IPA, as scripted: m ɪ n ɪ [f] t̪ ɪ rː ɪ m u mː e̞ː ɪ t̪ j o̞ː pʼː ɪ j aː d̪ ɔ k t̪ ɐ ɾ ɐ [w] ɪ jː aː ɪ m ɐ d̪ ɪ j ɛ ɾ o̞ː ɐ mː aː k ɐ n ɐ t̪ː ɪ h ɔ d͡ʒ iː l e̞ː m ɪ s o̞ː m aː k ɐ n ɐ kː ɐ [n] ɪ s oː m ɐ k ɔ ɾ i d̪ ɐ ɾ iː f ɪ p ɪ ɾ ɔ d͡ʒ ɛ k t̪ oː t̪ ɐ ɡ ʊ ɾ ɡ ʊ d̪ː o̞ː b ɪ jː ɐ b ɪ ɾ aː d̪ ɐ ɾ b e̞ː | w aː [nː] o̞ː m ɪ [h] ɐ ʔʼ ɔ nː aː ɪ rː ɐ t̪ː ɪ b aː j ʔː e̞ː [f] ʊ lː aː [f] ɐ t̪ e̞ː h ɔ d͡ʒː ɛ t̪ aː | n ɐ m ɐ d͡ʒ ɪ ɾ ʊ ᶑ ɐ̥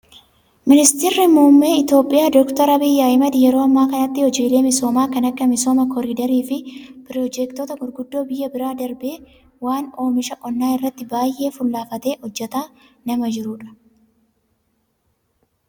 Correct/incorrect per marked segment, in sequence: incorrect: s, incorrect: b, incorrect: m, incorrect: n, incorrect: ʃ, correct, correct

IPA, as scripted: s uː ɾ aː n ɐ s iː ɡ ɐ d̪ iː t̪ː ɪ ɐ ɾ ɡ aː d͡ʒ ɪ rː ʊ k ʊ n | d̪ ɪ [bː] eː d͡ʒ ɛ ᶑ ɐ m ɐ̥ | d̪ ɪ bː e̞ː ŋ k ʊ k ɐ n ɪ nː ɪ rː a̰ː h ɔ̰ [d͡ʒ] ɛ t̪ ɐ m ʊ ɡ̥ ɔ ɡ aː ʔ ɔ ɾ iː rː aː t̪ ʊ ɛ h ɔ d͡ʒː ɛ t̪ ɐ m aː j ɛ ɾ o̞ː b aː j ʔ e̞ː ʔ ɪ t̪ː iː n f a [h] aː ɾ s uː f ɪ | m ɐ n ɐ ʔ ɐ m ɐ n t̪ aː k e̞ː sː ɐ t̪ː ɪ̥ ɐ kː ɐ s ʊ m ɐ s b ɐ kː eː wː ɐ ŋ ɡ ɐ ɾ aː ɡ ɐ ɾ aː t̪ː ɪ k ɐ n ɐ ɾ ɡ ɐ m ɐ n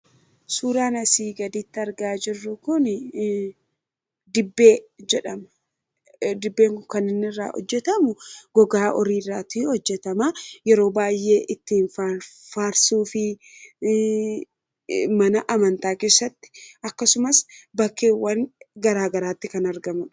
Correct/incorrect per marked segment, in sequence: correct, incorrect: d͡ʒː, incorrect: f

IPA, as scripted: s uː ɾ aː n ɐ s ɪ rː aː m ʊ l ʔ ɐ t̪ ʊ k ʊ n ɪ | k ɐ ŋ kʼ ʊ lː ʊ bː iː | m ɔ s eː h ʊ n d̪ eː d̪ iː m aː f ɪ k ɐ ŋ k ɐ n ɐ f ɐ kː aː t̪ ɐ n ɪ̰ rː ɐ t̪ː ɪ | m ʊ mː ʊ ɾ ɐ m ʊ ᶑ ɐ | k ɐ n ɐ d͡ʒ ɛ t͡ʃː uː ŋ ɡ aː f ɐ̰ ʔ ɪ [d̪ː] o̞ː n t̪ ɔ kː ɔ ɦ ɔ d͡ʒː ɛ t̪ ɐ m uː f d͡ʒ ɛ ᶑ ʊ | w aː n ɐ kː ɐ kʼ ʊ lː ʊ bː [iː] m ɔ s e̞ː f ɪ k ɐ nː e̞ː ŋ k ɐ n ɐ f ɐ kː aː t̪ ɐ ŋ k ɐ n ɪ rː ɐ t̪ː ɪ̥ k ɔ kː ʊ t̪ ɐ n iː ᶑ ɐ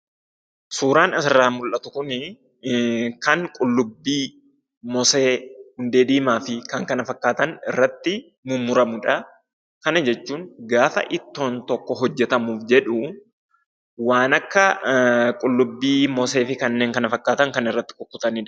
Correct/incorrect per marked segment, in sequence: incorrect: t̪ː, correct

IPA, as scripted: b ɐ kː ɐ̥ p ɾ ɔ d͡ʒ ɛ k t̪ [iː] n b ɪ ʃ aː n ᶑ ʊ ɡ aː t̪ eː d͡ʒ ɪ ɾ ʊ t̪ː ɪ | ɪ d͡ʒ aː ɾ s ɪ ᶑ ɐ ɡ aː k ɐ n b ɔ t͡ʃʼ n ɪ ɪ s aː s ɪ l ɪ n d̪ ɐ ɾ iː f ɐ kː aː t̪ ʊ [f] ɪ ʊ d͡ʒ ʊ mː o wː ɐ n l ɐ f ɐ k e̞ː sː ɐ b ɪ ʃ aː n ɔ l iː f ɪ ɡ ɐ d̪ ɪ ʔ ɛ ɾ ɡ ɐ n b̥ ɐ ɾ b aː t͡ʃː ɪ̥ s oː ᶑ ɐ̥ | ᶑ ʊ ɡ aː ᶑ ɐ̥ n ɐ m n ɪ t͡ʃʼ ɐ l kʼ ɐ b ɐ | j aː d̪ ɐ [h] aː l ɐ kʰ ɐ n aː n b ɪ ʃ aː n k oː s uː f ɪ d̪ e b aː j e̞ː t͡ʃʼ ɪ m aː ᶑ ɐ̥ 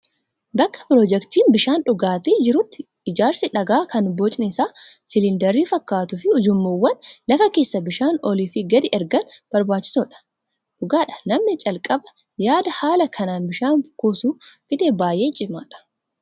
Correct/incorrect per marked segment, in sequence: correct, correct, correct

